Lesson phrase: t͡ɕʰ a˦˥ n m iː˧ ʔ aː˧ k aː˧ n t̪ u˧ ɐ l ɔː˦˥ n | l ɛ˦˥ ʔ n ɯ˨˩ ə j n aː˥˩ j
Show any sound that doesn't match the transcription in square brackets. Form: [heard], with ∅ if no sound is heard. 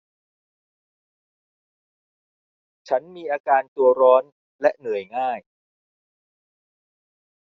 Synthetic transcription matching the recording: t͡ɕʰ a˦˥ n m iː˧ ʔ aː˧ k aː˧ n t̪ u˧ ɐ [ɾ] ɔː˦˥ n | l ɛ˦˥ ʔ n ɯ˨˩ ə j [ŋ] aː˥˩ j

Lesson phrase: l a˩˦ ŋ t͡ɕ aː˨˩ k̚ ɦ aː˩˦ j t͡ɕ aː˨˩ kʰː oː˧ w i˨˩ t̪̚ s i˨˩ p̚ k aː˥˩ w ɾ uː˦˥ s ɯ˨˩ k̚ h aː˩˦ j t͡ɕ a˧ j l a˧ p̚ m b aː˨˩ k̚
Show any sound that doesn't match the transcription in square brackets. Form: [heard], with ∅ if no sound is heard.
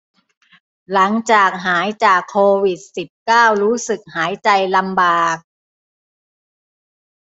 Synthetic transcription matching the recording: l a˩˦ ŋ t͡ɕ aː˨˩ k̚ ɦ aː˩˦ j t͡ɕ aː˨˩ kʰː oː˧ w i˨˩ t̪̚ s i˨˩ p̚ k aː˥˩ w ɾ uː˦˥ s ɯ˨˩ k̚ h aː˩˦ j t͡ɕ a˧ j l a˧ [∅] m b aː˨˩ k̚

